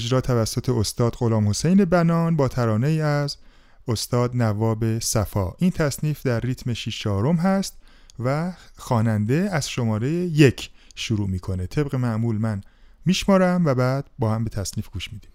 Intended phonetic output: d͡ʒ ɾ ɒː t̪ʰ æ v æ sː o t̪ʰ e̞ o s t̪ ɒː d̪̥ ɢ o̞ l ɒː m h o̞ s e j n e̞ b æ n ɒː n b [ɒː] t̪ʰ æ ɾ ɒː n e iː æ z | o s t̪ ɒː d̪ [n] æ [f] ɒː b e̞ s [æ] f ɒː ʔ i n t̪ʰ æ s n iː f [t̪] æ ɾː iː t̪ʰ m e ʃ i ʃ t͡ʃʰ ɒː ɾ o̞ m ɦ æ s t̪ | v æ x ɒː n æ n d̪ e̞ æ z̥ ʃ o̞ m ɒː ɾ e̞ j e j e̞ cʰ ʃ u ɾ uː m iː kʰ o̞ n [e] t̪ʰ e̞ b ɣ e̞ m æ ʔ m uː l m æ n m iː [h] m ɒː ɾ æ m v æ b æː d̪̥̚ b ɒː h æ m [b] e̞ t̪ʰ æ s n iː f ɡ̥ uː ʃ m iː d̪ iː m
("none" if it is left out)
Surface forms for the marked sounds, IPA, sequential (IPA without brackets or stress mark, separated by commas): ɒː, n, v, æ, d̪, e, ʃ, b